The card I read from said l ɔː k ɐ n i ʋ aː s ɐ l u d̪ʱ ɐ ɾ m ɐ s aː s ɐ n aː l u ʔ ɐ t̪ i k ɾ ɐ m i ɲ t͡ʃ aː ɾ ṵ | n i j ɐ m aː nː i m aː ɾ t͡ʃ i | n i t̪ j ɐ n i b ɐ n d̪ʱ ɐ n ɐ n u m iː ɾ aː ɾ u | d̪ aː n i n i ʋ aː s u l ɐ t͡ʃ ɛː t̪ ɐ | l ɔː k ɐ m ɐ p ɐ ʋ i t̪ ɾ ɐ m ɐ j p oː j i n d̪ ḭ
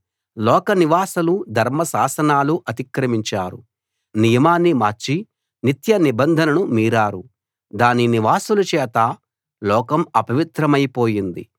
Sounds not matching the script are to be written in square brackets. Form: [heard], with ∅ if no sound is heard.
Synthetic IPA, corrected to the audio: l ɔː k ɐ n i ʋ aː s ɐ l u d̪ʱ ɐ ɾ m ɐ s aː s ɐ n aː l u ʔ ɐ t̪ i k ɾ ɐ m i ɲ t͡ʃ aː ɾ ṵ | n i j ɐ m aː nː i m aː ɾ t͡ʃ i | n i t̪ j ɐ n i b ɐ n d̪ʱ ɐ n ɐ n u m iː ɾ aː ɾ u | d̪ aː n i n i ʋ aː s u l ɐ t͡ʃ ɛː t̪ ɐ | l ɔː k ɐ m ɐ p ɐ ʋ i t̪ ɾ ɐ m ɐ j p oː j i n d̪ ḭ